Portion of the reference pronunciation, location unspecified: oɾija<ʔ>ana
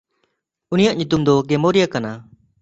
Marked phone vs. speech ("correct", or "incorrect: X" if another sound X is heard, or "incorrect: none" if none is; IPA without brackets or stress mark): incorrect: k